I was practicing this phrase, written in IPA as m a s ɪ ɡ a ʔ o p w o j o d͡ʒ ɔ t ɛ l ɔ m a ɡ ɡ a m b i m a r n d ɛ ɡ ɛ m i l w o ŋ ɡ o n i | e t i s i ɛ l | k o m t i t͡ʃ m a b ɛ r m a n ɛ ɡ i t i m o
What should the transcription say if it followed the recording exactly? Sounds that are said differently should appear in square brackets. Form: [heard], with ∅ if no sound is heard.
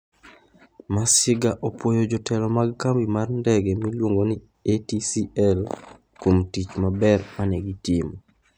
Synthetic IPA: m a s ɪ ɡ a ʔ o p w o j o d͡ʒ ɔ t ɛ l ɔ m a ɡ [k] a m b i m a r n d ɛ ɡ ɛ m i l w o ŋ ɡ o n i | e t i s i ɛ l | k o m t i t͡ʃ m a b ɛ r m a n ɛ ɡ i t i m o